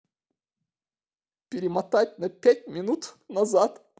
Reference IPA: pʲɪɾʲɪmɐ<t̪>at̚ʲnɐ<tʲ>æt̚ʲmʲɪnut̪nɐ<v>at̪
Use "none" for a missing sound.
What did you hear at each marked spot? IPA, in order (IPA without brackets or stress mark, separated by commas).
t̪, pʲ, z